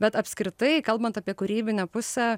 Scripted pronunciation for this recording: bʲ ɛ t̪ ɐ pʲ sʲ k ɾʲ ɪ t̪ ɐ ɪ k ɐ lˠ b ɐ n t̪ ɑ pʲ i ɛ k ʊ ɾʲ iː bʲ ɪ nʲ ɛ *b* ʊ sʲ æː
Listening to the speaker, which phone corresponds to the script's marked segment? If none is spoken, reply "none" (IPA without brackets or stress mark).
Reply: p